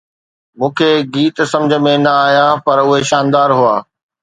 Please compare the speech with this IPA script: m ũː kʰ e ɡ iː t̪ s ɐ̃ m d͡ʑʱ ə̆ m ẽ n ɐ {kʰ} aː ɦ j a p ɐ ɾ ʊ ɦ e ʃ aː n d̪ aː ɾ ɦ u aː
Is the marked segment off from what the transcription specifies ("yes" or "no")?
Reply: yes